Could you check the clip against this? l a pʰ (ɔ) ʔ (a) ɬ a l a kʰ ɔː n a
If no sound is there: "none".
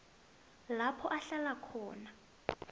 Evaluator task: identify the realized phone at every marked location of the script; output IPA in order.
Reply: ɔ, a

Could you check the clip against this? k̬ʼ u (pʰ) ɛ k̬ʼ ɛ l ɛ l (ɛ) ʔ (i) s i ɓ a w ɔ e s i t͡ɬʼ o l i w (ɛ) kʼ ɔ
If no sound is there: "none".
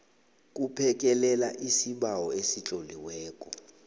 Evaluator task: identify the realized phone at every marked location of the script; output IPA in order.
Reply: pʰ, a, i, ɛː

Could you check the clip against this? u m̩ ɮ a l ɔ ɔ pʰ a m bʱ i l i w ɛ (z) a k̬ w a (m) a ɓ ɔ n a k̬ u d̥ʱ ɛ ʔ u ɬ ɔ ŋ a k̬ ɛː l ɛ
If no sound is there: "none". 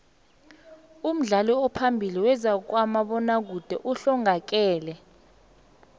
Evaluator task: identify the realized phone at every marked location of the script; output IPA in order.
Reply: z, m

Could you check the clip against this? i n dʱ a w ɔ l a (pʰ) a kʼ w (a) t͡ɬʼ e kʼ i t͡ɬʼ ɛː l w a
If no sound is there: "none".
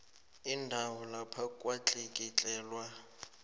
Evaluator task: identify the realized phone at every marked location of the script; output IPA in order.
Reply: pʰ, a

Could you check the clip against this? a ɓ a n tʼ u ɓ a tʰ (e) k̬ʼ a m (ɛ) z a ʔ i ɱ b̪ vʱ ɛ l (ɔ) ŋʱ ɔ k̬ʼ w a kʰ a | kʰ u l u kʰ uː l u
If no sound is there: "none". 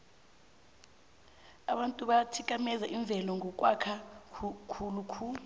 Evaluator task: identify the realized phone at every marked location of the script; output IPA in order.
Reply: i, ɛ, ɔ

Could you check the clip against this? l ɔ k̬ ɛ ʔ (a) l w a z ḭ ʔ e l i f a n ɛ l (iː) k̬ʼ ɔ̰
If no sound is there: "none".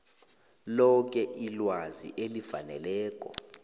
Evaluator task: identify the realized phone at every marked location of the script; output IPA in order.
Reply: i, ɛː

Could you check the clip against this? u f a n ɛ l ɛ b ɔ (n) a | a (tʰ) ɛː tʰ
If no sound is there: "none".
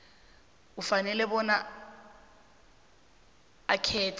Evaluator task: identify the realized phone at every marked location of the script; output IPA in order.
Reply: n, kʰ

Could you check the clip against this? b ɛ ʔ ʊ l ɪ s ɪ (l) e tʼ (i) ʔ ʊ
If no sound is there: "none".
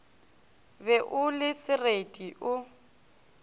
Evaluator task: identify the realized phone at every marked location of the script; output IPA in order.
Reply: r, i

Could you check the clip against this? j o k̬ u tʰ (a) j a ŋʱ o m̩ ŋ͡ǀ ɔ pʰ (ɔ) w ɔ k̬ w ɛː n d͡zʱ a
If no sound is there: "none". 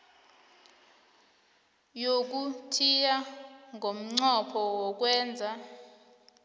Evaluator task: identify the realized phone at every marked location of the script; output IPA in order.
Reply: i, ɔ

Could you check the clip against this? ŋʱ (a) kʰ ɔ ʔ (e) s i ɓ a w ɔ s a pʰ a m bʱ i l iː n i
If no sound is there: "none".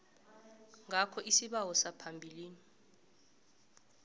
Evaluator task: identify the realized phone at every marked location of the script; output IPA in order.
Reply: a, i

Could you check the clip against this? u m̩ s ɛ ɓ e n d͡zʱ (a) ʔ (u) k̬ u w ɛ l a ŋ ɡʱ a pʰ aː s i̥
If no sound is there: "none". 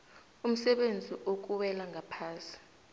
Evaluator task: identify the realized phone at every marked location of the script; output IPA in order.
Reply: i, o

